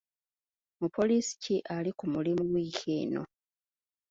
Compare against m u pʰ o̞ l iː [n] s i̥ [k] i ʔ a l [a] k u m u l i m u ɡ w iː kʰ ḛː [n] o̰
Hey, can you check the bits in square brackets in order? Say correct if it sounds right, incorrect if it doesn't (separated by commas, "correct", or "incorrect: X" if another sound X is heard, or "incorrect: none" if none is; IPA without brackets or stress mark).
incorrect: none, incorrect: c, incorrect: i, correct